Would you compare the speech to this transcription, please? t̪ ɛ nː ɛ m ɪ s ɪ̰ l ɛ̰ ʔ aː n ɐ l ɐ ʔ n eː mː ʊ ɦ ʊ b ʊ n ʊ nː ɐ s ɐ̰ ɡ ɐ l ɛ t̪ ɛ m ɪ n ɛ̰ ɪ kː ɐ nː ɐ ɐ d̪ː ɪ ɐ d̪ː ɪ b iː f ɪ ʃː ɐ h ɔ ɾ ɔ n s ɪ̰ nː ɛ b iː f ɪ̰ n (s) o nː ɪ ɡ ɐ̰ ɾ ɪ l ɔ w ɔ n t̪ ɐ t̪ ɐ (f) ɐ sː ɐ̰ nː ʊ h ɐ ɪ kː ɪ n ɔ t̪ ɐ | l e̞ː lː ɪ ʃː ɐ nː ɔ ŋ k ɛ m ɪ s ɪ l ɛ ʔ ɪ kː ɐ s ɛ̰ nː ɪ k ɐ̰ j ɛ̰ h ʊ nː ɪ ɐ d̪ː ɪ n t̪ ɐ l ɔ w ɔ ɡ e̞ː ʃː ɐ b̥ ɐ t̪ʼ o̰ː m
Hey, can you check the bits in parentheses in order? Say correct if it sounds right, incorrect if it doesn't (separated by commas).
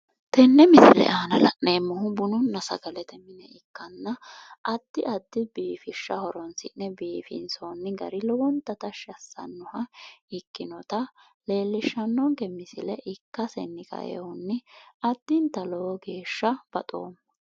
correct, incorrect